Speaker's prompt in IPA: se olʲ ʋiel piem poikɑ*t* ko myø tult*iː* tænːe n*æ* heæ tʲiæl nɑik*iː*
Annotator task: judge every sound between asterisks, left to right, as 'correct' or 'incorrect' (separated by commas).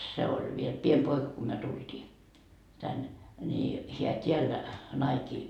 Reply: incorrect, correct, incorrect, correct